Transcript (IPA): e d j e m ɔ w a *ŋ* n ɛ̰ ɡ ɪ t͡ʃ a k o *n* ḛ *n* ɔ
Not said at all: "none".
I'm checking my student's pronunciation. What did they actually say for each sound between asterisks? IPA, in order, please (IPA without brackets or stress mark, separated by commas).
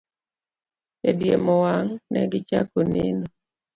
ŋ, n, n